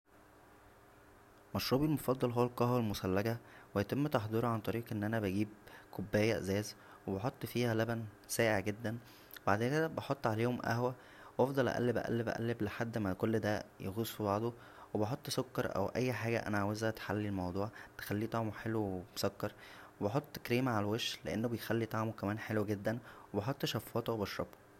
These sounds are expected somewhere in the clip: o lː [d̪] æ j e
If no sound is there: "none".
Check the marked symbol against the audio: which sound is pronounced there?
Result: d̪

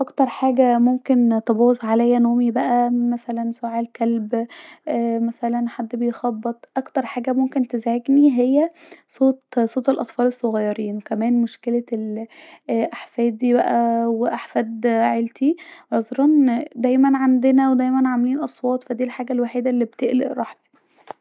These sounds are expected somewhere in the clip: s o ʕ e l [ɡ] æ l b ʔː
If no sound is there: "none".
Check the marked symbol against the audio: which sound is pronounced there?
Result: k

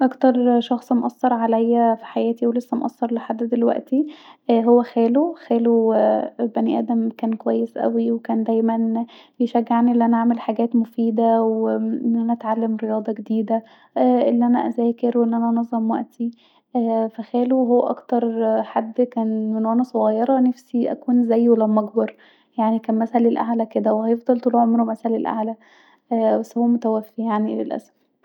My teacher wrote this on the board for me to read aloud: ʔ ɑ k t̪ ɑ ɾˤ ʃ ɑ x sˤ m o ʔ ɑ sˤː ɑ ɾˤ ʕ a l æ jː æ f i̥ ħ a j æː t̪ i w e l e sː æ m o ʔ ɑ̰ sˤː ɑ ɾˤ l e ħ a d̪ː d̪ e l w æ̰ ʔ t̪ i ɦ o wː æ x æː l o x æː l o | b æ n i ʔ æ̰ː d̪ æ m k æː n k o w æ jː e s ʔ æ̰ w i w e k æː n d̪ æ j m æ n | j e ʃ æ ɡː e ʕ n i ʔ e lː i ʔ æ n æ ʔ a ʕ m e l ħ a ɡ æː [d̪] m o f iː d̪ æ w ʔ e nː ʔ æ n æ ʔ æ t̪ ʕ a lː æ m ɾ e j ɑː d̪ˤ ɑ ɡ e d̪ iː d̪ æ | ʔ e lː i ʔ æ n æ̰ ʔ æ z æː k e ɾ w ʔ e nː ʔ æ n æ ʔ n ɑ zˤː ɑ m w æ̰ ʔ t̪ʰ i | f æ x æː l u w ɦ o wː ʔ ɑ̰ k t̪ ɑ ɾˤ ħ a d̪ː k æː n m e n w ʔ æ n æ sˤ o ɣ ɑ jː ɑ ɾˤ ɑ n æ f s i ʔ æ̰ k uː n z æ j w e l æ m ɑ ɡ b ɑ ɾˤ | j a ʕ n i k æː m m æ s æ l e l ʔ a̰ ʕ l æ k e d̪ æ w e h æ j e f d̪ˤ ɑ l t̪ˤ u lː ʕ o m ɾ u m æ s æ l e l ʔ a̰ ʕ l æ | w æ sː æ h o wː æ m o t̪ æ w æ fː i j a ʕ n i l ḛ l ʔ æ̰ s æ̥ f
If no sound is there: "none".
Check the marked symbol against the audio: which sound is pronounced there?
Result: t̪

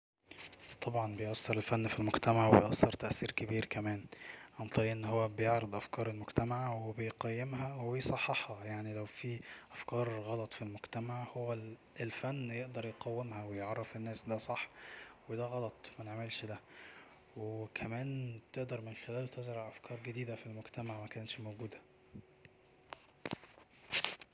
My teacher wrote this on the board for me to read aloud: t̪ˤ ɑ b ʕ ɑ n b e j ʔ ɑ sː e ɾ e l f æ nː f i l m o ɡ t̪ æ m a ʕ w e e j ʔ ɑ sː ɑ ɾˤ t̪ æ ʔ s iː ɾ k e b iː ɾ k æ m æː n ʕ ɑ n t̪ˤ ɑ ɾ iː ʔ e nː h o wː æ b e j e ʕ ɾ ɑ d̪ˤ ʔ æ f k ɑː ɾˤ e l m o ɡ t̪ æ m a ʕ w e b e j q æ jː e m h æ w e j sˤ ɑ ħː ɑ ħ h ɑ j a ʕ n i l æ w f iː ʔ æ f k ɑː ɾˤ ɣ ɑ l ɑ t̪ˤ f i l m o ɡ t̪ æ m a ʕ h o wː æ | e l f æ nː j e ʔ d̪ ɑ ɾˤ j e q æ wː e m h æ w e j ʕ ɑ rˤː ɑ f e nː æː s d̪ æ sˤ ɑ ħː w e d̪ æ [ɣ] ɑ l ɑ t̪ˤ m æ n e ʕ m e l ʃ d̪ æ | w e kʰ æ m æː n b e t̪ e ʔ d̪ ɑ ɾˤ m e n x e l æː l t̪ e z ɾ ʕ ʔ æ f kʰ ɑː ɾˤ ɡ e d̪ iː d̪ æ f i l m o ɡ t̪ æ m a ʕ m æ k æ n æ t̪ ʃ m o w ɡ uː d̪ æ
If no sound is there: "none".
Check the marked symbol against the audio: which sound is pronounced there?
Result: ɣ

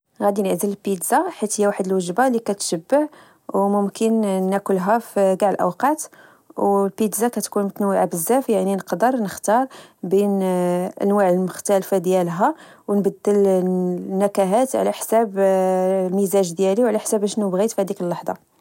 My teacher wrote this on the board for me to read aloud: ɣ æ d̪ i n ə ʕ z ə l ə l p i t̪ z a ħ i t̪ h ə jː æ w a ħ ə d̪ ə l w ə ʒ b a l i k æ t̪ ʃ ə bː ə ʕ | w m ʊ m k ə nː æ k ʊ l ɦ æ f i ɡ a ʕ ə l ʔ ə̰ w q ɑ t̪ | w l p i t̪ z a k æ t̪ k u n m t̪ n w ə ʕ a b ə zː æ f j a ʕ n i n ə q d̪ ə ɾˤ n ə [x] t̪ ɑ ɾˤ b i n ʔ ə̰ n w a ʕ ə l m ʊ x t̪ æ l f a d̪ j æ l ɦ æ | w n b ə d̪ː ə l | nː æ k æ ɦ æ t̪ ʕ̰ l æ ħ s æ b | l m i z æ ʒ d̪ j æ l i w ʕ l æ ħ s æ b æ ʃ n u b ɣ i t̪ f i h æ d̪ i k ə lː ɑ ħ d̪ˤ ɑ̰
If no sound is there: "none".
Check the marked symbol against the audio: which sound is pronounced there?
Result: x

